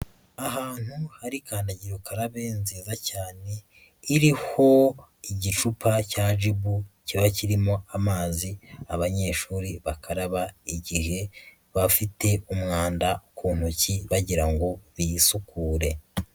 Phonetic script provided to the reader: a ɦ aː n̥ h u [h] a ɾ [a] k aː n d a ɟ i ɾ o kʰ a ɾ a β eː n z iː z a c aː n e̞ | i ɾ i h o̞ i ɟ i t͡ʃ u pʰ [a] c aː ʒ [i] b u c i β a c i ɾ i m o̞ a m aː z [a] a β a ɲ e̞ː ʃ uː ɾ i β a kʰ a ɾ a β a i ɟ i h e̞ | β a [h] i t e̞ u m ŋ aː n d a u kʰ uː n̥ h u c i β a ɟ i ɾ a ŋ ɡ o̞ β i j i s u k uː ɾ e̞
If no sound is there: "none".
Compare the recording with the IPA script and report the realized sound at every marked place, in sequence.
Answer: h, i, a, i, i, f

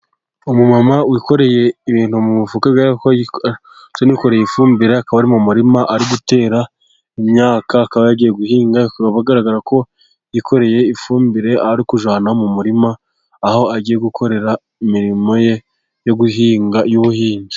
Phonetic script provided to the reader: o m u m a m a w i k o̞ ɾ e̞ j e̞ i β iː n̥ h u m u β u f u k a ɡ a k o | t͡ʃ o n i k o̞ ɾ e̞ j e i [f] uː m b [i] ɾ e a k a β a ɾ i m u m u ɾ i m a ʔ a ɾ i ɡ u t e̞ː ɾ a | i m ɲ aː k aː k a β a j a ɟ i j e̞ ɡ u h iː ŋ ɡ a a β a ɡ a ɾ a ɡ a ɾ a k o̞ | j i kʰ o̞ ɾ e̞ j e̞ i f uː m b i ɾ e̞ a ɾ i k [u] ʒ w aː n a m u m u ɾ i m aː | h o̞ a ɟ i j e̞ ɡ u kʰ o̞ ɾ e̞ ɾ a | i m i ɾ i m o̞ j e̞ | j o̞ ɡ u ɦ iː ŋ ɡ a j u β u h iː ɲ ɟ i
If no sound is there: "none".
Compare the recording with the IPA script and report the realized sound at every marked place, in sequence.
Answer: f, i, u

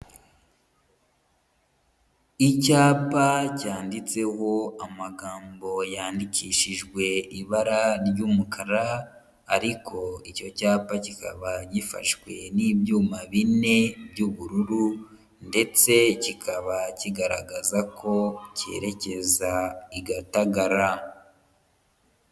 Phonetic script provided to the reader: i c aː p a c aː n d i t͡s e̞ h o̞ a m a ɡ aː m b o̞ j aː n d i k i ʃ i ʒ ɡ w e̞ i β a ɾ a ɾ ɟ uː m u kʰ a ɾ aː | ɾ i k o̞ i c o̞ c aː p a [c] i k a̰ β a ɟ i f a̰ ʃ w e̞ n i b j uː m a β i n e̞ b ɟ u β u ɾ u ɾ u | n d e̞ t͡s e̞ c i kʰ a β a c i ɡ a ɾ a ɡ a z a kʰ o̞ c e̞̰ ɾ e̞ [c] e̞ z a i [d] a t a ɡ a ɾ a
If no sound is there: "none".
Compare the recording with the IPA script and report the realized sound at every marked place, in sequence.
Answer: c, c, ɡ

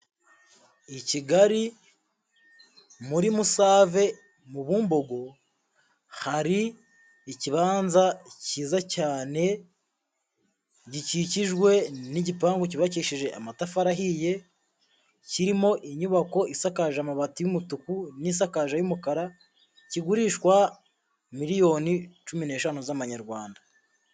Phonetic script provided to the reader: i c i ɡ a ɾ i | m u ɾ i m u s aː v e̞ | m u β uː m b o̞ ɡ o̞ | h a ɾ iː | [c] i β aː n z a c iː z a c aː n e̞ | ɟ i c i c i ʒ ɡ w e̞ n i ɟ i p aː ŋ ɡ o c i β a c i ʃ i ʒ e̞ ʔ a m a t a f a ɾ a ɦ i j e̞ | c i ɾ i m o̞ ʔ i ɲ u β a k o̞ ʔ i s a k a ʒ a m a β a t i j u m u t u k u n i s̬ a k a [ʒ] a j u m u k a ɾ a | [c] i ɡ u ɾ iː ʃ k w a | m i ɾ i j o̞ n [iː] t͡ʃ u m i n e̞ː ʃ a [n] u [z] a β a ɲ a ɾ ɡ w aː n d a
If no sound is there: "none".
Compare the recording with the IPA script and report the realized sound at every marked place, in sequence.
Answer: c, ʒ, c, i, n, z

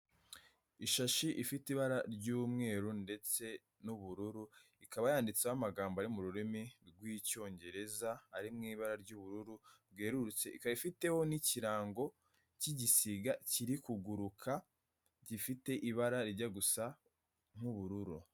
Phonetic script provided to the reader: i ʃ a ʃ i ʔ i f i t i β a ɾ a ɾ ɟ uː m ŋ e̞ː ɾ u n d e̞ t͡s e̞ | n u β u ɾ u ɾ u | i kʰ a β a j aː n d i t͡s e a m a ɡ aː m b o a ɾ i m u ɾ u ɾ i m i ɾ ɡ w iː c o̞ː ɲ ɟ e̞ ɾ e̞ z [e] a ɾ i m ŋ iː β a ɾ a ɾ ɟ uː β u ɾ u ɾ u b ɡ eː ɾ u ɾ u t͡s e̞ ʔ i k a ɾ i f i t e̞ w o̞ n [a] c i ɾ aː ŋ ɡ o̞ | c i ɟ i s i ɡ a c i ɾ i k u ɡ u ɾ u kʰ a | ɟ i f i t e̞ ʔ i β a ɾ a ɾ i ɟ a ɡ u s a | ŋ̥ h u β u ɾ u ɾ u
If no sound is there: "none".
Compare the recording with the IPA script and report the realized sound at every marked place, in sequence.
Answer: a, i

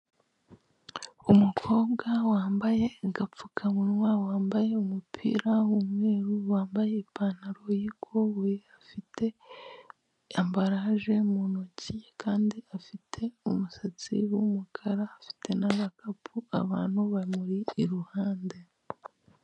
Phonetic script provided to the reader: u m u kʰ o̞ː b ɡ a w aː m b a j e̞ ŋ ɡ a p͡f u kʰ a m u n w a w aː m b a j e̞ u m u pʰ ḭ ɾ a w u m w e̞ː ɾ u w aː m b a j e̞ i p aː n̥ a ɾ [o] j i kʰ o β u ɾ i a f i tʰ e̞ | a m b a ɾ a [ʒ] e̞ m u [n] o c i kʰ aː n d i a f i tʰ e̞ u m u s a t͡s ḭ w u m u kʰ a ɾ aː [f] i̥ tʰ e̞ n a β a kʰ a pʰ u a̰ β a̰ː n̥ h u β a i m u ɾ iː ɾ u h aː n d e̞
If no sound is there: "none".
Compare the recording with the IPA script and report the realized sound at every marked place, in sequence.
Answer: o, ʒ, n, f

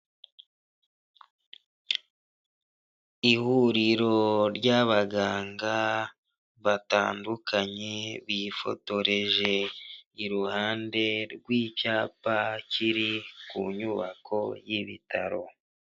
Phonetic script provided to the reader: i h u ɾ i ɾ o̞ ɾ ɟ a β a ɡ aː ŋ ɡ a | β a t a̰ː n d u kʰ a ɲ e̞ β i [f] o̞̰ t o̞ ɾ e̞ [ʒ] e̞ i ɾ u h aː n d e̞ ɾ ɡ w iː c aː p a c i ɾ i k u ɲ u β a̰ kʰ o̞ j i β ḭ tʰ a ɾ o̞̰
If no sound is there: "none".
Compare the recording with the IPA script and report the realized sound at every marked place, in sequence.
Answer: f, ʒ

